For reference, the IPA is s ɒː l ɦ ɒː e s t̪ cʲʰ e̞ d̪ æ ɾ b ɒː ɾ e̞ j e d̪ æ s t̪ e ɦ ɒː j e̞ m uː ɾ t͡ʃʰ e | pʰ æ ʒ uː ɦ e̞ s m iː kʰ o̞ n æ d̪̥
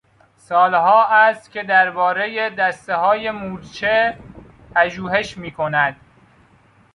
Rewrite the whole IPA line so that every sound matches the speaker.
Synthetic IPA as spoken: s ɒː l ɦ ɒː æ s t̪ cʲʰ e̞ d̪ æ ɾ b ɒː ɾ e̞ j e d̪ æ s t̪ e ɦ ɒː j e̞ m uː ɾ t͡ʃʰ e | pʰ æ ʒ uː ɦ e̞ ʃ m iː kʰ o̞ n æ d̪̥

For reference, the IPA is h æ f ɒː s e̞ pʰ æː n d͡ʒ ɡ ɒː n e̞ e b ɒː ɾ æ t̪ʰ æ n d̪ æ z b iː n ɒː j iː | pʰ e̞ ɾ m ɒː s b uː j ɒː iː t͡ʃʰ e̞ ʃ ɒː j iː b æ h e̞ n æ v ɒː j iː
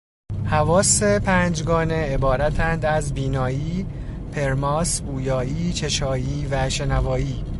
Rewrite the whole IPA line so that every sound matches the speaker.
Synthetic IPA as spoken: h æ v ɒː s e̞ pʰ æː n d͡ʒ ɡ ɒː n e̞ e b ɒː ɾ æ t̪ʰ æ n d̪ æ z b iː n ɒː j iː | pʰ e̞ ɾ m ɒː s b uː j ɒː iː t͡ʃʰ e̞ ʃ ɒː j iː v æ ʃ e̞ n æ v ɒː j iː

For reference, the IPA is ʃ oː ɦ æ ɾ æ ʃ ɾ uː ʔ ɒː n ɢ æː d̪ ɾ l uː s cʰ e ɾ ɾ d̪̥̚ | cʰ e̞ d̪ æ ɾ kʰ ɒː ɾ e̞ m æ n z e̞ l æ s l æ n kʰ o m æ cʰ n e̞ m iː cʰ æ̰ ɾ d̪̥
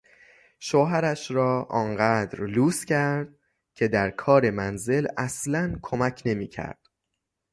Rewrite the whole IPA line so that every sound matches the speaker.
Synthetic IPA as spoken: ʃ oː ɦ æ ɾ æ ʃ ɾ ɒː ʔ ɒː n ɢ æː d̪ ɾ l uː s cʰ æ ɾ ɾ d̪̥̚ | cʰ e̞ d̪ æ ɾ kʰ ɒː ɾ e̞ m æ n z e̞ l æ s l æ n kʰ o m æ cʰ n e̞ m iː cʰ æ̰ ɾ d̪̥

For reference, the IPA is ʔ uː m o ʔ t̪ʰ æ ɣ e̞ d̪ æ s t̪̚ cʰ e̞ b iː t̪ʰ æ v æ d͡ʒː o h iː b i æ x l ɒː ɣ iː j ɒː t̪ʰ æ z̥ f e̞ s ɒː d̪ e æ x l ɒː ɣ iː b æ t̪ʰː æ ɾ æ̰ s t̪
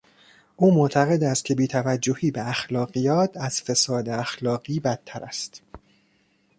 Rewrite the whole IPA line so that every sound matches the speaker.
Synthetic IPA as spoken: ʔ uː m o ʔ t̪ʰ æ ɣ e̞ d̪ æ s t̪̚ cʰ e̞ b iː t̪ʰ æ v æ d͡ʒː o h iː b e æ x l ɒː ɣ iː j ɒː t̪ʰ æ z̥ f e̞ s ɒː d̪ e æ x l ɒː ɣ iː b æ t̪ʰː æ ɾ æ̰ s t̪

